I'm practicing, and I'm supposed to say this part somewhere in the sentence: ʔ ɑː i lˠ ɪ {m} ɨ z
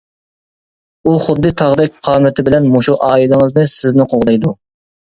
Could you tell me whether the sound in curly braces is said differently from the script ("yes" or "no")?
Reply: yes